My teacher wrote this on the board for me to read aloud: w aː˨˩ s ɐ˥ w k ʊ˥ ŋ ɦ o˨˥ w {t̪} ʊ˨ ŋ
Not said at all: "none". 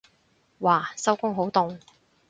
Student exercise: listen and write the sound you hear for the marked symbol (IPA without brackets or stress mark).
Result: t̪